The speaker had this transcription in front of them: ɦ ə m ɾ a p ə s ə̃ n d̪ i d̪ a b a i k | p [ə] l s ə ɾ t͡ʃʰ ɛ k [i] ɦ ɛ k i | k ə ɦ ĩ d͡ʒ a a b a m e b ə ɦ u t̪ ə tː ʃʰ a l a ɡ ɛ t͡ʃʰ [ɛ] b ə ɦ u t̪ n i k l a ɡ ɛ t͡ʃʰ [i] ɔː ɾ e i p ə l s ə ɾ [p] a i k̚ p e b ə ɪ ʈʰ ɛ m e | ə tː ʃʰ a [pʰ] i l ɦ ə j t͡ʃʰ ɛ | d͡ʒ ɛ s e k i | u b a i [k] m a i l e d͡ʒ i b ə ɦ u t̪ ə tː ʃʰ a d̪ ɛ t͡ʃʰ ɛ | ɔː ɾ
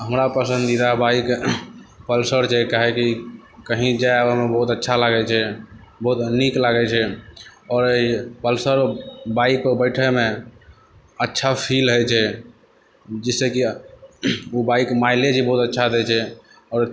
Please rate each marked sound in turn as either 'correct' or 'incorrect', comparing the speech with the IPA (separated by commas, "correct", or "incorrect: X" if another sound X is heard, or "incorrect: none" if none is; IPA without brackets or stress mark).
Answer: correct, incorrect: a, correct, incorrect: ɛ, incorrect: b, correct, correct